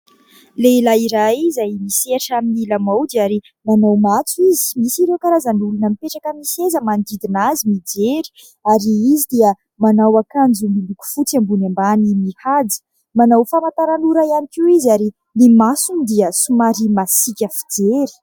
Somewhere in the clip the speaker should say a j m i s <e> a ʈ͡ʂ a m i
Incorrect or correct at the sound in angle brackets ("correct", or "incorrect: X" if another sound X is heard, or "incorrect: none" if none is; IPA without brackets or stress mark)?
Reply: correct